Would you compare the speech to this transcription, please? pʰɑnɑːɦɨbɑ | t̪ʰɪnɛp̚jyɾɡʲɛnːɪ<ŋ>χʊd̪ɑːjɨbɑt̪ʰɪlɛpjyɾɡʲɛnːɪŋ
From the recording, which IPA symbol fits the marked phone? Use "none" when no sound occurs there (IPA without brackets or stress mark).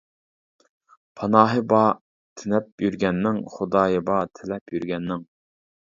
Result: ŋ